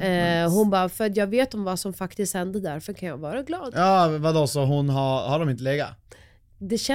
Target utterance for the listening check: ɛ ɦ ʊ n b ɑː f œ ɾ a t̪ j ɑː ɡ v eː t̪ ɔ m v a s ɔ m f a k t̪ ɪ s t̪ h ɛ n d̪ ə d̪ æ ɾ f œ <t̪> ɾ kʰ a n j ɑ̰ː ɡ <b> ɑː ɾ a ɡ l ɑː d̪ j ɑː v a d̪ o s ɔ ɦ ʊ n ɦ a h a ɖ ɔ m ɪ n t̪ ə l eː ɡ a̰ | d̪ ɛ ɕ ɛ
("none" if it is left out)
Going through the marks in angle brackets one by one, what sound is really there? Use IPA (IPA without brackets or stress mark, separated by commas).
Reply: none, v